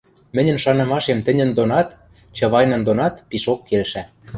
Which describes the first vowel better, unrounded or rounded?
unrounded